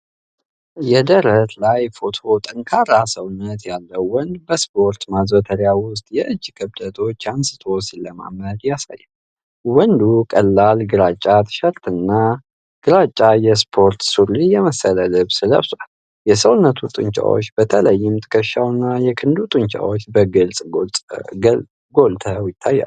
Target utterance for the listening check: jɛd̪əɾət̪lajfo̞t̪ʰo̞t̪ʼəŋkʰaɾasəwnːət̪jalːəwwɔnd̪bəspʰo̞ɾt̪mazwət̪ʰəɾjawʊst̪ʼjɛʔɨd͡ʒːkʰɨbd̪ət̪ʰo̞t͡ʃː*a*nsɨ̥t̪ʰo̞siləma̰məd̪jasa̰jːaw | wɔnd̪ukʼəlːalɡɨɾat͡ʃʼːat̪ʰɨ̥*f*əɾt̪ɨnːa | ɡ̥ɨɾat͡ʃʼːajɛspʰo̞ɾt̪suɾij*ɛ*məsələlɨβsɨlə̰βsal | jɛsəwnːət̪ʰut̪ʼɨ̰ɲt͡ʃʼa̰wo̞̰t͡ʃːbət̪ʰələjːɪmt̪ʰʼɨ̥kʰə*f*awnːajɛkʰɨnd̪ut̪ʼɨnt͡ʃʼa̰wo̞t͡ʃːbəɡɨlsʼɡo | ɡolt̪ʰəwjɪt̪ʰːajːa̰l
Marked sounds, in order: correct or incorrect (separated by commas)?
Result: correct, incorrect, correct, incorrect